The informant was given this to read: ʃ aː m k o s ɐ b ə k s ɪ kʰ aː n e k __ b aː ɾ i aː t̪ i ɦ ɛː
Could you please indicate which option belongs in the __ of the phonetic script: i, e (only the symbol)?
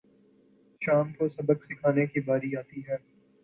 i